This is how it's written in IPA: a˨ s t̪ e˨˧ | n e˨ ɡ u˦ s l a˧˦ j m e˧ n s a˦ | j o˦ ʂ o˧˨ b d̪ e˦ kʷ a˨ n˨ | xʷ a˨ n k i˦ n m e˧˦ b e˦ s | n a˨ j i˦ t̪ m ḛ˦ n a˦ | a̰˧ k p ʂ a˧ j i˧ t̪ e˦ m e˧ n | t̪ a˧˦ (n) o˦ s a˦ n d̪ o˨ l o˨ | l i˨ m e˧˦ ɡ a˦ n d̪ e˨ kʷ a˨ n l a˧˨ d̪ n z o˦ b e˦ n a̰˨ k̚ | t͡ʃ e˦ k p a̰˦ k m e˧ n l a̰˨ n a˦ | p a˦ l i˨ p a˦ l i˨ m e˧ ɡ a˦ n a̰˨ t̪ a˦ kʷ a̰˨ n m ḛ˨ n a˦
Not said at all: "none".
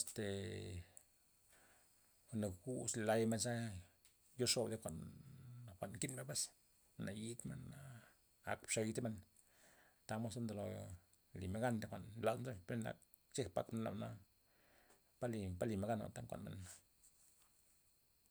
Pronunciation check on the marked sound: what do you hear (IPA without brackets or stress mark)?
m